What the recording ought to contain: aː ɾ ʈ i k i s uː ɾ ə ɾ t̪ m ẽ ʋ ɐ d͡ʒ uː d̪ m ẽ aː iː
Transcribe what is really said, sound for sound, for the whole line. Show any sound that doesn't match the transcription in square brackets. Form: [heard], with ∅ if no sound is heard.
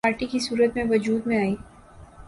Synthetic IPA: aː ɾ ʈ i k i s uː ɾ ə [∅] t̪ m ẽ ʋ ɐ d͡ʒ uː d̪ m ẽ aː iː

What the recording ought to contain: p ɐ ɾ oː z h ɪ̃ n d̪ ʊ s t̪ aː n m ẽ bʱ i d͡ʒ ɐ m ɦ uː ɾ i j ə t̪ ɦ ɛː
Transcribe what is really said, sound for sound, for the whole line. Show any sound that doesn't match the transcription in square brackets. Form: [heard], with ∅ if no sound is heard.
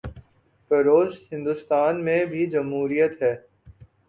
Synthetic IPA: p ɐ ɾ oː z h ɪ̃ n d̪ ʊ s t̪ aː n m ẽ bʱ i d͡ʒ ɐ m ɦ uː ɾ i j ə t̪ ɦ ɛː

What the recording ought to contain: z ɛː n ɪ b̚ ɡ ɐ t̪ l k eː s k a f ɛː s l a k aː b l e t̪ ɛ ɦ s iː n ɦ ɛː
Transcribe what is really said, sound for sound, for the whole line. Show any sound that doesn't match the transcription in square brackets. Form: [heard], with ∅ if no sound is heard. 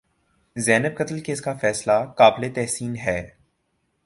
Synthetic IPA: z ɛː n ɪ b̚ [k] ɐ t̪ l k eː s k a f ɛː s l a k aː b l e t̪ ɛ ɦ s iː n ɦ ɛː

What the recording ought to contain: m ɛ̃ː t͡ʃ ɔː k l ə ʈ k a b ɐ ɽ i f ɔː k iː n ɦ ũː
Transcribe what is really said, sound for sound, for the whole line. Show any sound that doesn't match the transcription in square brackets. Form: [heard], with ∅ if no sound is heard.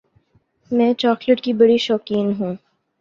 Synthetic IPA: m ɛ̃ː t͡ʃ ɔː k l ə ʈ k [i] b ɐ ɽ i [ʃ] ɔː k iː n ɦ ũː

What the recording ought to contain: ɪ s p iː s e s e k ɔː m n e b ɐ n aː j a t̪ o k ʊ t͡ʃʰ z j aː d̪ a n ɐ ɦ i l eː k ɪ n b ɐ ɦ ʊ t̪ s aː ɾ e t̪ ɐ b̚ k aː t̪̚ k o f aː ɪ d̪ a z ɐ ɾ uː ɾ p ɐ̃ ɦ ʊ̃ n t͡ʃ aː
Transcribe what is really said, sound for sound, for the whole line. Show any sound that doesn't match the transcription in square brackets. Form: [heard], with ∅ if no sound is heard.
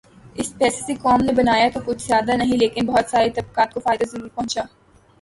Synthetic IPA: ɪ s p [ɛː] s e s e k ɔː m n e b ɐ n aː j a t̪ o k ʊ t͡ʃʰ z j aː d̪ a n ɐ ɦ [ĩ] l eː k ɪ n b ɐ ɦ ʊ t̪ s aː ɾ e t̪ ɐ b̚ k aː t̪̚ k o f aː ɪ d̪ a z ɐ ɾ uː ɾ p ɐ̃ ɦ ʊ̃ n t͡ʃ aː

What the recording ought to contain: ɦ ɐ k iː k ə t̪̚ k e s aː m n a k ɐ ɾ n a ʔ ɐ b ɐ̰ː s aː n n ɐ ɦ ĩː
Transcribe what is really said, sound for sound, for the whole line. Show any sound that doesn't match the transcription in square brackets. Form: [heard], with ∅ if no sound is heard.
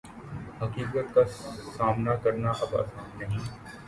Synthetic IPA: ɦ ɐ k iː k ə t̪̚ k [a] s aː m n a k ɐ ɾ n a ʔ ɐ b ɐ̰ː s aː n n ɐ ɦ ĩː

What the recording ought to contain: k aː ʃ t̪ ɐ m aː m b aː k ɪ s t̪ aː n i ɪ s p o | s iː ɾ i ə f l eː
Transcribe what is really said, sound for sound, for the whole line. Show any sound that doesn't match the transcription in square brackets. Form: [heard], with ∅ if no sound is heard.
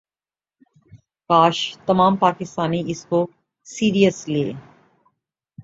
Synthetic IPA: k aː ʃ t̪ ɐ m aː m [p] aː k ɪ s t̪ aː n i ɪ s [k] o | s iː ɾ i ə [s] l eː

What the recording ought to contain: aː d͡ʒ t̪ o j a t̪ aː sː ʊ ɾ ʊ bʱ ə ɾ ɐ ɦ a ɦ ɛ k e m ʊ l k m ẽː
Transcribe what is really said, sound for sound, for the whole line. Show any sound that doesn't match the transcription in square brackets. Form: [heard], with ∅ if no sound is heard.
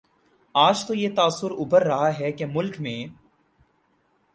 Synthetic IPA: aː d͡ʒ t̪ o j [e] t̪ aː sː ʊ ɾ ʊ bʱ ə [ɾː] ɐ ɦ a ɦ ɛ k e m ʊ l k m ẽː

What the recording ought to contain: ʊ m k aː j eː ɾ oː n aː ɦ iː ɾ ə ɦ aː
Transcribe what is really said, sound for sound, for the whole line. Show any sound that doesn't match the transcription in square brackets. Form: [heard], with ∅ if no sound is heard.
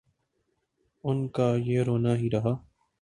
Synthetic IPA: ʊ [n] k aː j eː ɾ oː n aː ɦ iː ɾ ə ɦ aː

